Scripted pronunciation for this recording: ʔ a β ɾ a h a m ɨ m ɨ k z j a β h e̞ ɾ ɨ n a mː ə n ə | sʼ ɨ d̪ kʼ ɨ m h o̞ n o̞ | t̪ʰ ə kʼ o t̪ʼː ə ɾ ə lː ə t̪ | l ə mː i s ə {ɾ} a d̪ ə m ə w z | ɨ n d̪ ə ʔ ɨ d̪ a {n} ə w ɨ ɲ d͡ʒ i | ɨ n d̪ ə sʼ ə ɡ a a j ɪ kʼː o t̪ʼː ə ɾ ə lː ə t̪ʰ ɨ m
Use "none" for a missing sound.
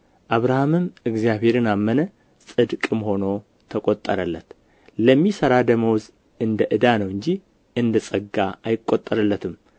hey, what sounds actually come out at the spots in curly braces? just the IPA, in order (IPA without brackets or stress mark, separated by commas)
ɾ, n